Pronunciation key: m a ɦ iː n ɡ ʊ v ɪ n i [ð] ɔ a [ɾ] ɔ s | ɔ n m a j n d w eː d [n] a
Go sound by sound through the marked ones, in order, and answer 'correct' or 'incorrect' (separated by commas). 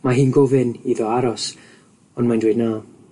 correct, correct, correct